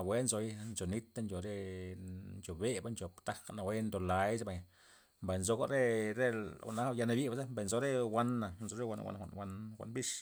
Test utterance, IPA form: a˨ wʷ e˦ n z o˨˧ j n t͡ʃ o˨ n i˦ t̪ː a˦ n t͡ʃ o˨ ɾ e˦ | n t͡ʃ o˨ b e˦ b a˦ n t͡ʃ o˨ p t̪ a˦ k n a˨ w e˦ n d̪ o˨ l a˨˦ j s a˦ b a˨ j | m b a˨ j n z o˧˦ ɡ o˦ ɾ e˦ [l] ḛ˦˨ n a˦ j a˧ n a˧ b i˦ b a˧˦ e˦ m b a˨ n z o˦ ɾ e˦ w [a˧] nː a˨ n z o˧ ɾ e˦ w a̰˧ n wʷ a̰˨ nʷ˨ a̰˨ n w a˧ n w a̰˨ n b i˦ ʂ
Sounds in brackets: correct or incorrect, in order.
incorrect: ɾ, correct

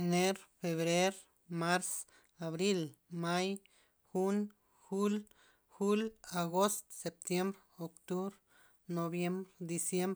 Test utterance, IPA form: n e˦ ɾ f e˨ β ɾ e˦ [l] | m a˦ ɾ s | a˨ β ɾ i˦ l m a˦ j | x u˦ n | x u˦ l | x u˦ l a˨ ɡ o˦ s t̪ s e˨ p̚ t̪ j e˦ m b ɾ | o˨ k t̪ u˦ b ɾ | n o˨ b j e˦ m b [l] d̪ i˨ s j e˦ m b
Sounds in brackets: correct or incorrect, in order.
incorrect: ɾ, incorrect: ɾ

